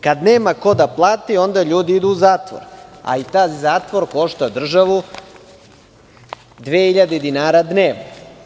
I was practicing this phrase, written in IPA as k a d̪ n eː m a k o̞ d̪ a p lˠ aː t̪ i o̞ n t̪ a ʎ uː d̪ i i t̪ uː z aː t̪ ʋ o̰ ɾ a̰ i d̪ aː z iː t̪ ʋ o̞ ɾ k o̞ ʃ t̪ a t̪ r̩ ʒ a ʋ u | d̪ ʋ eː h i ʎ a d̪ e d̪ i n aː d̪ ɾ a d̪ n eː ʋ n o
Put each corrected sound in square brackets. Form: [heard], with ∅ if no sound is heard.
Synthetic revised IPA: k a d̪ n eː m a k o̞ d̪ a p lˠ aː t̪ i o̞ n [d̪] a ʎ uː d̪ i i [d̪] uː z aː t̪ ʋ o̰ ɾ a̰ i [t̪] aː z [aː] t̪ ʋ o̞ ɾ k o̞ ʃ t̪ a [d̪] r̩ ʒ a ʋ u | d̪ ʋ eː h i ʎ a d̪ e d̪ i n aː [∅] ɾ a d̪ n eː ʋ n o